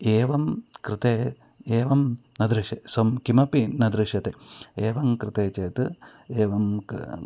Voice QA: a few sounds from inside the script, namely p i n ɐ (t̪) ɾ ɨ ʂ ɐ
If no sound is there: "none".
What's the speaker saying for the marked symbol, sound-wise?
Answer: d̪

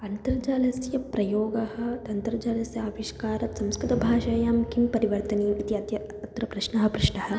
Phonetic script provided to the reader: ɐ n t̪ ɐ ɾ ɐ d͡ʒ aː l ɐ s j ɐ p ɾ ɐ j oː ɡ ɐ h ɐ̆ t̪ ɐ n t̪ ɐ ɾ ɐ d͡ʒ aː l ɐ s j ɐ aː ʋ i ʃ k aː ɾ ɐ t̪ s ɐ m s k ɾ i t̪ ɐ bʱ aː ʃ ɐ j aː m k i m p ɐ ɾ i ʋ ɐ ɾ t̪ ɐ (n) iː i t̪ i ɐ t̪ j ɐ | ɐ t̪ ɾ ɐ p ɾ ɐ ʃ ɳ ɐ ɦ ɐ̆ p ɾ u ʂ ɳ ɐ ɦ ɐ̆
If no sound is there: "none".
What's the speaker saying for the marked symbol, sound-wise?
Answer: n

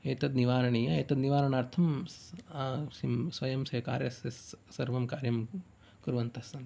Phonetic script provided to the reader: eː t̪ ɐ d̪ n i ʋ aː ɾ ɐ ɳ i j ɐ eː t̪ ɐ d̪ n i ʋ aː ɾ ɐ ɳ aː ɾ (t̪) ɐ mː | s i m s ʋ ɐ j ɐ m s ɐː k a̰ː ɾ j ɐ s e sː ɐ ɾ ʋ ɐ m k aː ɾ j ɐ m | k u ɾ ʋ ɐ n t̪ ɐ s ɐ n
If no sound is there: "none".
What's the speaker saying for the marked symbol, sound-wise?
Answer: t̪ʰ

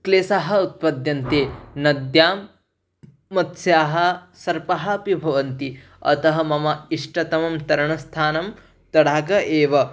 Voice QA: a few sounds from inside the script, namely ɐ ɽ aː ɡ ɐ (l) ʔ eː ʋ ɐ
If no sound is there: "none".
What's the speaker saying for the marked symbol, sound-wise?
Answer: none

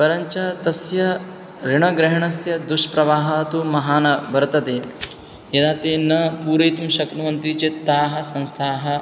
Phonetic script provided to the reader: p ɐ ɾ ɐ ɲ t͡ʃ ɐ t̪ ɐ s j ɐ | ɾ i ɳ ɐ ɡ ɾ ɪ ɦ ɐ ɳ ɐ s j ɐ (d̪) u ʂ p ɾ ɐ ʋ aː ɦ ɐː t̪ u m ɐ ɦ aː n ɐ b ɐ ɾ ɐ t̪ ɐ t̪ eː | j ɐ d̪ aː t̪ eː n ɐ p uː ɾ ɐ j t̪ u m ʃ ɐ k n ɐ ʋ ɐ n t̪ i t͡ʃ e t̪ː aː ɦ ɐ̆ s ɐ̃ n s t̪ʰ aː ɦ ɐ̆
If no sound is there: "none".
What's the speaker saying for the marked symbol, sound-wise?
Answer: d̪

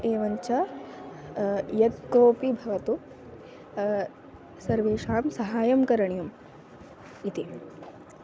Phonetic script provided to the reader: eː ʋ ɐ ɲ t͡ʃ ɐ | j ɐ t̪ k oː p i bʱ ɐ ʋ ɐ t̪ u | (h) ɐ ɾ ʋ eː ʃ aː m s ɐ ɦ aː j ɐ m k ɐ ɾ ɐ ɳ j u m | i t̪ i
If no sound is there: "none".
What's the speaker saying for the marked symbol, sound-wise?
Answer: s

